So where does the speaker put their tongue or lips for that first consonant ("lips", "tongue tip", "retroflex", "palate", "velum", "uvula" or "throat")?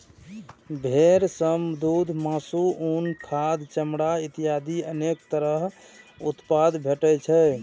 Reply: lips